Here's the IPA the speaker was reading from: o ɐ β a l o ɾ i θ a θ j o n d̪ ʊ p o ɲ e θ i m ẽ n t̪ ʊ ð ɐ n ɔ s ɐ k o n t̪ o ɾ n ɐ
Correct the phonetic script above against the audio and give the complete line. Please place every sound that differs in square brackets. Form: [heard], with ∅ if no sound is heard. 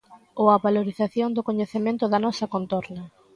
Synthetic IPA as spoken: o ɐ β a l o ɾ i θ a θ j o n d̪ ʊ [k] o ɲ e θ [e] m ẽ n t̪ ʊ ð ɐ n ɔ s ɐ k o n t̪ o ɾ n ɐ